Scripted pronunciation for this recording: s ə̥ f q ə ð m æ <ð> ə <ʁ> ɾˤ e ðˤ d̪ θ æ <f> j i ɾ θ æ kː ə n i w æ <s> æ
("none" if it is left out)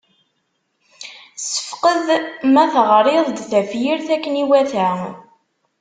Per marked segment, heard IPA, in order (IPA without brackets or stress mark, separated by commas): θ, ʁ, f, θ